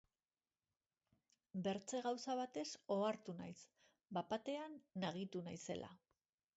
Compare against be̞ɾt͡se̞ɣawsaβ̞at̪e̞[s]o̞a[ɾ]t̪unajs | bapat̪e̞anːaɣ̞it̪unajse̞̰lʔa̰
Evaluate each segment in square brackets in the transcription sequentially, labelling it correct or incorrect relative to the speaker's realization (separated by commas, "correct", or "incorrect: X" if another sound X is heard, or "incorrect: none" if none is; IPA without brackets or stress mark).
correct, correct